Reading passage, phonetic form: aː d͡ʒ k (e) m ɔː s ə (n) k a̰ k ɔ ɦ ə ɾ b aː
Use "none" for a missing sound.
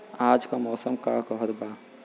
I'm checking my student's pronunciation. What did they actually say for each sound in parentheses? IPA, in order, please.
a, m

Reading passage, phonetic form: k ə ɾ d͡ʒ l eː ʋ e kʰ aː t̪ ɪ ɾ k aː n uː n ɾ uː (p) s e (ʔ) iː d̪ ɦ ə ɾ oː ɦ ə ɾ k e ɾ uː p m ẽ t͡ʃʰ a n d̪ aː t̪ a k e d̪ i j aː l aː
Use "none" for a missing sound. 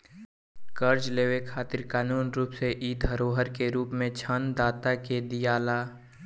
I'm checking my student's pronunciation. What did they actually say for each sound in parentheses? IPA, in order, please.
p, ʔ

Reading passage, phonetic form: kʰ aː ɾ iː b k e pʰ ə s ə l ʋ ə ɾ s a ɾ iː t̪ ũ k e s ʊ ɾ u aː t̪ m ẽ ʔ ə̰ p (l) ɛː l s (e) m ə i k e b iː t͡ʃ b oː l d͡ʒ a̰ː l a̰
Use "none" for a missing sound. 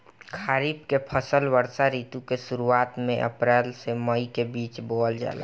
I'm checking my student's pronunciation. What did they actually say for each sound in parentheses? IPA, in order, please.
ɾ, e

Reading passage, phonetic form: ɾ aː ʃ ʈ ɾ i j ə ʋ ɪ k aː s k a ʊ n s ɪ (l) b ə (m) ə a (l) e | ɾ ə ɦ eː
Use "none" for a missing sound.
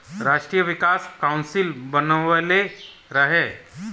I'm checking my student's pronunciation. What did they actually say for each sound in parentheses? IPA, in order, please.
l, n, l

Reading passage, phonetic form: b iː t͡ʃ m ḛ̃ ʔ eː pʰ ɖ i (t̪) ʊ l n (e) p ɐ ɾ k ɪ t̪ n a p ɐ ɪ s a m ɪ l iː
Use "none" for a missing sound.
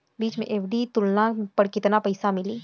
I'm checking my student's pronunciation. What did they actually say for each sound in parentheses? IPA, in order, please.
t̪, a

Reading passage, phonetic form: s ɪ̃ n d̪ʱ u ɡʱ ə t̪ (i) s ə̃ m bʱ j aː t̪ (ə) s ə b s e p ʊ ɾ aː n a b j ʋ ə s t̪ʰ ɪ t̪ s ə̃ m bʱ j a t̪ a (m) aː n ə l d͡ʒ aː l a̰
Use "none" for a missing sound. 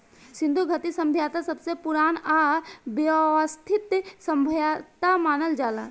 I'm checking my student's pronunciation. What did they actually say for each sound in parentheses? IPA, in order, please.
i, a, m

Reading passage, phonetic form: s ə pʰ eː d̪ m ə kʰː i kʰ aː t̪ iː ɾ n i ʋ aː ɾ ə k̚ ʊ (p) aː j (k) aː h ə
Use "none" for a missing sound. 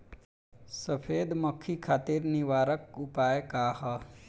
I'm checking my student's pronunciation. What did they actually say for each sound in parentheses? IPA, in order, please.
p, k

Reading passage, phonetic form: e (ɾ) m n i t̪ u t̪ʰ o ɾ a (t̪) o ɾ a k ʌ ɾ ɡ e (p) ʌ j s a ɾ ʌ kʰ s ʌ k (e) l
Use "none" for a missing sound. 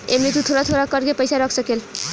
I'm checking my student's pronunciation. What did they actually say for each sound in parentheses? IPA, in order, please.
none, t̪ʰ, p, e

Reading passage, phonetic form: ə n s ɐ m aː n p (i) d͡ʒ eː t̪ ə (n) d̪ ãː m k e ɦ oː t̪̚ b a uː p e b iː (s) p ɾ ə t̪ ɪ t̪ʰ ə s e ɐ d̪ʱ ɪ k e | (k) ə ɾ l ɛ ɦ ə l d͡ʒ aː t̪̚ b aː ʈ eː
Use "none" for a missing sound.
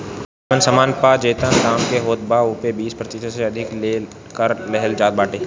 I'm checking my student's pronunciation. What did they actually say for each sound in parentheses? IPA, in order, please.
a, n, s, k

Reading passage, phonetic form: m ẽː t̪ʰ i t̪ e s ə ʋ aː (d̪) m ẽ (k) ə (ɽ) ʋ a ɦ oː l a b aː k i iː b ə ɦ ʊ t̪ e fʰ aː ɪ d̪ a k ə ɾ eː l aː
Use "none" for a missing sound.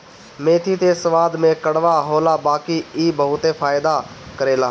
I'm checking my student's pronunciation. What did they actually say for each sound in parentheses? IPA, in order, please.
d̪, k, ɽ

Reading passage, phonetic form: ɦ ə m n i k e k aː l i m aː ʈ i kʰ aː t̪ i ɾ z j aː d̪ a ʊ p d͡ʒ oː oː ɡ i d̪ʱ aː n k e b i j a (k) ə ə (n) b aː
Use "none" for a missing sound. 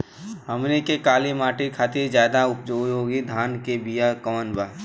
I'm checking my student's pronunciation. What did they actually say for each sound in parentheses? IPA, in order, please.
k, n

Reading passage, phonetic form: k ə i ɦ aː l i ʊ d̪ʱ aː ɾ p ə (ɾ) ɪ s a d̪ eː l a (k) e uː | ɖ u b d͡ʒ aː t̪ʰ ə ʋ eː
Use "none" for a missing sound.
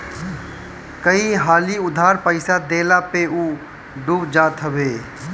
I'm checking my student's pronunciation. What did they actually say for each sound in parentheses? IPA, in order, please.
none, p

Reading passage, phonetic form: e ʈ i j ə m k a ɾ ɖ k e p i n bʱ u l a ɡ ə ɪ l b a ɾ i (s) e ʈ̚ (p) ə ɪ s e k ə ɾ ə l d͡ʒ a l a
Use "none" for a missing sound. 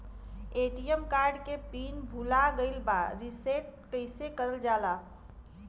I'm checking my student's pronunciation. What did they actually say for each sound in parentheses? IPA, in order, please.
s, k

